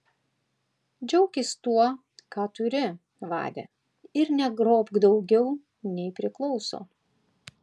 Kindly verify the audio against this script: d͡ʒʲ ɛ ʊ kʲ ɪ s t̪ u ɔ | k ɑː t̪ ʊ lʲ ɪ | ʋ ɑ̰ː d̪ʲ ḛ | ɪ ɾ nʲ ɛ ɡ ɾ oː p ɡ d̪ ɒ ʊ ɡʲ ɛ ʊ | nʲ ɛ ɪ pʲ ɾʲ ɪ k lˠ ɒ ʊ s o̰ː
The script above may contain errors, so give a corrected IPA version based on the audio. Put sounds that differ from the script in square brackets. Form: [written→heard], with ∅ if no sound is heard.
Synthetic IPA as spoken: d͡ʒʲ ɛ ʊ kʲ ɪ s t̪ u ɔ | k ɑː t̪ ʊ [lʲ→ɾʲ] ɪ | ʋ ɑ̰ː d̪ʲ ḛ | ɪ ɾ nʲ ɛ ɡ ɾ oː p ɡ d̪ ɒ ʊ ɡʲ ɛ ʊ | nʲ ɛ ɪ pʲ ɾʲ ɪ k lˠ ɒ ʊ s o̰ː